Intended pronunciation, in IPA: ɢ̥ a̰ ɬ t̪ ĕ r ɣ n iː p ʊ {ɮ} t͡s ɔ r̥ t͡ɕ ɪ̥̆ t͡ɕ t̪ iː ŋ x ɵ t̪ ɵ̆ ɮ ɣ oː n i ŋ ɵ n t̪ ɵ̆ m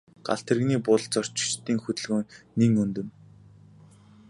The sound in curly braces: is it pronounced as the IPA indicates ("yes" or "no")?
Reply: yes